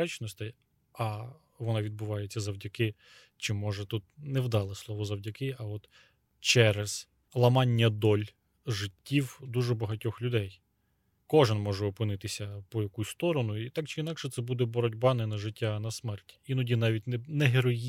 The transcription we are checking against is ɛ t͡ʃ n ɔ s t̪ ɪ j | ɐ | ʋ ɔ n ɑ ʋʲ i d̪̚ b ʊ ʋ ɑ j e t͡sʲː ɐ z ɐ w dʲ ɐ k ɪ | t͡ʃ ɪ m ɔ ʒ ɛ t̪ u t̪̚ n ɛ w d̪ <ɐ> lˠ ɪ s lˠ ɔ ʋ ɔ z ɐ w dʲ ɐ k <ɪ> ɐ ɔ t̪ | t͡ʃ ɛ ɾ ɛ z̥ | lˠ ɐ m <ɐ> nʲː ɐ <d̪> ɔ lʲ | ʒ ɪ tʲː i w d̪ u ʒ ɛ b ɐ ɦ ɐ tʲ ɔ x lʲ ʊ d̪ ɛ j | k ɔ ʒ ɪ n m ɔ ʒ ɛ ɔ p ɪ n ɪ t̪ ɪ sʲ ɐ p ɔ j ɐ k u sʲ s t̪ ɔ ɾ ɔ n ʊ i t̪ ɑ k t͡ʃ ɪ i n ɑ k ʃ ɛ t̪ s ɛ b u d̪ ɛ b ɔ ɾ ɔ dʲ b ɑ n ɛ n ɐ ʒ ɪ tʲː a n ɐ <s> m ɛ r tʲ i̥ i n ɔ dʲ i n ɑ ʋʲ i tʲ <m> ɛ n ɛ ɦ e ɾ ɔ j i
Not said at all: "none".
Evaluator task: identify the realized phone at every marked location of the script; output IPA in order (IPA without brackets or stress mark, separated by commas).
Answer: ɑ, ɪ, ɑ, d̪, s, n